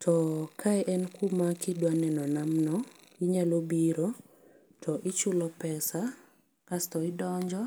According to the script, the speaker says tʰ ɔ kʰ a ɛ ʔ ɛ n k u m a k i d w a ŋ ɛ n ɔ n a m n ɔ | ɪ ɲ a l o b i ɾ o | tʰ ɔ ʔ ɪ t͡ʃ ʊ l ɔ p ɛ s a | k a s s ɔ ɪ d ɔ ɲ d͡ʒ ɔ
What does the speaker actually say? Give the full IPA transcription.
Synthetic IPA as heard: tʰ ɔ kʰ a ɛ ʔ ɛ n k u m a k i d w a n ɛ n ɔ n a m n ɔ | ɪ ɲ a l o b i ɾ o | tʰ ɔ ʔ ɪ t͡ʃ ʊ l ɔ p ɛ s a | k a s t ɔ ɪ d ɔ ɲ d͡ʒ ɔ

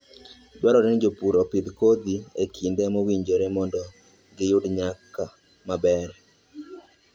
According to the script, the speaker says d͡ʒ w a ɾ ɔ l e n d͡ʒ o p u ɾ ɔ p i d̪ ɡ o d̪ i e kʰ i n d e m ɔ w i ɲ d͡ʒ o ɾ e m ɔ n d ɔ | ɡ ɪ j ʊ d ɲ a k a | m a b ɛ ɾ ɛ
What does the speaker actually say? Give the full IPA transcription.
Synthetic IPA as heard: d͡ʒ w a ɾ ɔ ɾ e n d͡ʒ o p u ɾ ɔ p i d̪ k o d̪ i e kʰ i n d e m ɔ w i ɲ d͡ʒ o ɾ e m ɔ n d ɔ | ɡ ɪ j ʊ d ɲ a k a | m a b ɛ ɾ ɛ

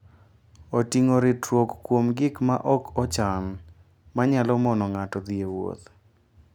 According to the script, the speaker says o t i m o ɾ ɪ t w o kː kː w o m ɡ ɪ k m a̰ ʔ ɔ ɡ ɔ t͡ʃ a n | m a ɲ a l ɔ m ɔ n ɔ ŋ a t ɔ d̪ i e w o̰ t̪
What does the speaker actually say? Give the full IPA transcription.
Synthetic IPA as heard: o t i ŋ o ɾ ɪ t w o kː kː w o m ɡ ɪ k m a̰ ʔ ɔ k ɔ t͡ʃ a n | m a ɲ a l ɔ m ɔ n ɔ ŋ a t ɔ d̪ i e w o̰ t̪

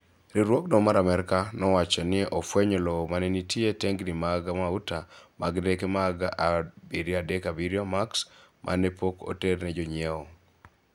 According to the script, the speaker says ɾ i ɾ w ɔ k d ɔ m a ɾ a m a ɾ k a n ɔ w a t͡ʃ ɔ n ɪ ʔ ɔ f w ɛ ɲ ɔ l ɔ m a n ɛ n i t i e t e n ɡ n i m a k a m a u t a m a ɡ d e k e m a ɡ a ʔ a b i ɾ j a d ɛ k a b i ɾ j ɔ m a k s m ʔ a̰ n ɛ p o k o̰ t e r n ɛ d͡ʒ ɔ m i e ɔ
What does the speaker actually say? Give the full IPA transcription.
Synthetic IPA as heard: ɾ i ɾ w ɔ k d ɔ m a ɾ a m ɛ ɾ k a n ɔ w a t͡ʃ ɔ n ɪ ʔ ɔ f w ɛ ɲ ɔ l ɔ m a n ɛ n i t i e t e ŋ ɡ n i m a ɡ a m a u t a m a ɡ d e k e m a ɡ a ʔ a b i ɾ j a d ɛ k a b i ɾ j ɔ m a k s m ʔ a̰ n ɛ p o k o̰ t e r n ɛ d͡ʒ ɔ ɲ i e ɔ

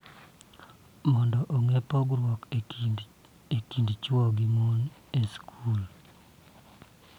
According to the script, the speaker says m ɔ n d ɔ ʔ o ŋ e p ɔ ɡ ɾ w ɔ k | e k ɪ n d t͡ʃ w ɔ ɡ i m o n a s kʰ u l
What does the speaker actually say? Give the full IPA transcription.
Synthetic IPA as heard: m ɔ n d ɔ ʔ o ŋ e p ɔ ɡ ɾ w ɔ k | e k i n d t͡ʃ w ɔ ɡ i m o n e s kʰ u l

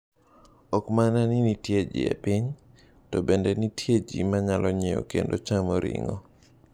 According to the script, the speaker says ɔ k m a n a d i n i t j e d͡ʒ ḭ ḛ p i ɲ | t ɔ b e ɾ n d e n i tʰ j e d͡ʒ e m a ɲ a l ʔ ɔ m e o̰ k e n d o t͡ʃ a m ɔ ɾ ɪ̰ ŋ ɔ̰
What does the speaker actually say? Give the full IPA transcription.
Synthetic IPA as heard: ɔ k m a n a n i n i t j e d͡ʒ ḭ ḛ p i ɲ | t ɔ b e n d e n i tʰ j e d͡ʒ i m a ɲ a l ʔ ɔ ɲ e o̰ k e n d o t͡ʃ a m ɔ ɾ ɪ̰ ŋ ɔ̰

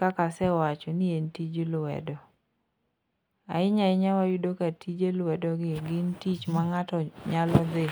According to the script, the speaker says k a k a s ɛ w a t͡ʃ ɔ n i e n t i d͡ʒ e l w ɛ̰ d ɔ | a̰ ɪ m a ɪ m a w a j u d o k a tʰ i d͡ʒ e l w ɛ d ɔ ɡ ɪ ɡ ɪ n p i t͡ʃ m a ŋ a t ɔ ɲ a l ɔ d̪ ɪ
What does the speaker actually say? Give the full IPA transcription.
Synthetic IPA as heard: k a k a s ɛ w a t͡ʃ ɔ n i e n t i d͡ʒ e l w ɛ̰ d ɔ | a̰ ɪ ɲ a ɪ ɲ a w a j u d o k a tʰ i d͡ʒ e l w ɛ d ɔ ɡ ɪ ɡ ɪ n t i t͡ʃ m a ŋ a t ɔ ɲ a l ɔ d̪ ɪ

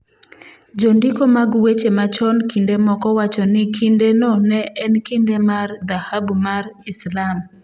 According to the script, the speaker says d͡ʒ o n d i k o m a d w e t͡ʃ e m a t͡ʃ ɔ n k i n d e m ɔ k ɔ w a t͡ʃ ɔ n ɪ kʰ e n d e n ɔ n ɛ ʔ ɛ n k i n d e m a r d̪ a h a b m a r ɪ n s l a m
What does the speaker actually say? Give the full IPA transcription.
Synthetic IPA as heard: d͡ʒ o n d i k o m a ɡ w e t͡ʃ e m a t͡ʃ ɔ n k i n d e m ɔ k ɔ w a t͡ʃ ɔ n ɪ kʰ i n d e n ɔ n ɛ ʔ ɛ n k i n d e m a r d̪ a h a b m a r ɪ s l a m

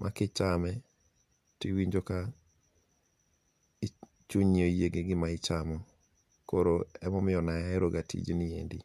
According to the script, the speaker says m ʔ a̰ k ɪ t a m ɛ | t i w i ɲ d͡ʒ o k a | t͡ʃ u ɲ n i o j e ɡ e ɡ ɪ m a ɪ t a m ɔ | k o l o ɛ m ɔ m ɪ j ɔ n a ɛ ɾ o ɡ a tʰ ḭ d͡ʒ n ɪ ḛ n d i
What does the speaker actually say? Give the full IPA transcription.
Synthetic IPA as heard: m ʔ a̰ k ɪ t͡ʃ a m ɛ | t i w i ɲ d͡ʒ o k a | t͡ʃ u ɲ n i o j e ɡ e ɡ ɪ m a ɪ t͡ʃ a m ɔ | k o ɾ o ɛ m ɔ m ɪ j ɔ n a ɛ ɾ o ɡ a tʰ ḭ d͡ʒ n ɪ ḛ n d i

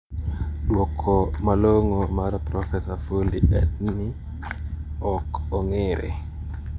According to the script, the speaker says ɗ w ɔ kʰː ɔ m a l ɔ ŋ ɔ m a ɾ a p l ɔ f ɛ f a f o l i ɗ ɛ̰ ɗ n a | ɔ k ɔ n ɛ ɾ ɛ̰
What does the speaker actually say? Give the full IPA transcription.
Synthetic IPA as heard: ɗ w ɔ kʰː ɔ m a l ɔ ŋ ɔ m a ɾ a p ɾ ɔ f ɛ s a f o l i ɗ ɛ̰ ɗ n i | ɔ k ɔ ŋ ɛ ɾ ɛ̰

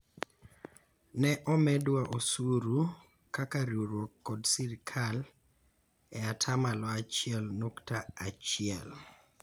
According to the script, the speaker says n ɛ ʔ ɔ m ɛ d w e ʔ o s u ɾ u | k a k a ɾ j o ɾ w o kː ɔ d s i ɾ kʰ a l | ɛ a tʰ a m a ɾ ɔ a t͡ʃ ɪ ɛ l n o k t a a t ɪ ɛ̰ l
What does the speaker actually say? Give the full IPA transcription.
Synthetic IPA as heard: n ɛ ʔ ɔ m ɛ d w a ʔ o s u ɾ u | k a k a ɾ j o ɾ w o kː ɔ d s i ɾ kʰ a l | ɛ a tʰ a m a l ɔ a t͡ʃ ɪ ɛ l n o k t a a t͡ʃ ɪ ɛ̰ l

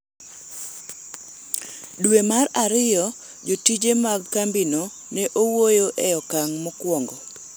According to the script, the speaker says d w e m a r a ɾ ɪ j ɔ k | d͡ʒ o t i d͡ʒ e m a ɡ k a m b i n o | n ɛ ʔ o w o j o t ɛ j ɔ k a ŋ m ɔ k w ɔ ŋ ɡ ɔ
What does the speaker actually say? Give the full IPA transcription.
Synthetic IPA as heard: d w e m a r a ɾ ɪ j ɔ | d͡ʒ o t i d͡ʒ e m a ɡ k a m b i n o | n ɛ ʔ o w o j o ʔ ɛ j ɔ k a ŋ m ɔ k w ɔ ŋ ɡ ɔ

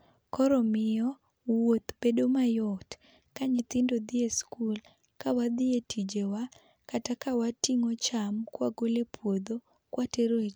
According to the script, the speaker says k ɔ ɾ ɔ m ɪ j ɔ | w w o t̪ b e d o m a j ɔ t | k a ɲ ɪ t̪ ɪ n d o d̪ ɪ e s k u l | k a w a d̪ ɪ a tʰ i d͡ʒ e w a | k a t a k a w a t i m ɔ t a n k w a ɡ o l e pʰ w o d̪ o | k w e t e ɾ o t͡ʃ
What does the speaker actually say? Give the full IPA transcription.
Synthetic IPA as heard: k ɔ ɾ ɔ m ɪ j ɔ | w w o t̪ b e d o m a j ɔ t | k a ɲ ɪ t̪ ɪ n d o d̪ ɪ e s k u l | k a w a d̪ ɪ e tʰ i d͡ʒ e w a | k a t a k a w a t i ŋ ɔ t͡ʃ a m k w a ɡ o l e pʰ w o d̪ o | k w a t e ɾ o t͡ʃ

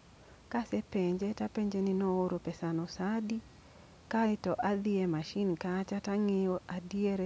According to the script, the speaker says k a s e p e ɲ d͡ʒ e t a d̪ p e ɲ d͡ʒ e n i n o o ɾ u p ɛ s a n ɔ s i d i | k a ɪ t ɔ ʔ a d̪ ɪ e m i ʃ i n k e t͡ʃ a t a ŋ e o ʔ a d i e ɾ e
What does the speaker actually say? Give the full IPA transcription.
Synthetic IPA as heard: k a s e p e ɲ d͡ʒ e t a p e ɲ d͡ʒ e n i n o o ɾ o p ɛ s a n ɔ s a d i | k a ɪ t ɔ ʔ a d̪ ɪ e m a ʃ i n k a t͡ʃ a t a ŋ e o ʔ a d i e ɾ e

